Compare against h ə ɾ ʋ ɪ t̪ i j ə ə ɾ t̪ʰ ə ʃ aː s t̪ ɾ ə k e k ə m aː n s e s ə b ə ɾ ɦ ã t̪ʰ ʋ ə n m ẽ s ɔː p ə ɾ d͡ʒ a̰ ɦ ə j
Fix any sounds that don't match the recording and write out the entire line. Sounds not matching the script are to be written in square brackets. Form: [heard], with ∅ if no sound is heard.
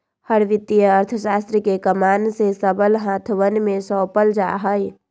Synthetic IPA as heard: h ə ɾ ʋ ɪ t̪ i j ə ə ɾ t̪ʰ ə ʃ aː s t̪ ɾ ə k e k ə m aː n s e s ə b ə [l] ɦ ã t̪ʰ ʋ ə n m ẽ s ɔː p ə [l] d͡ʒ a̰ ɦ ə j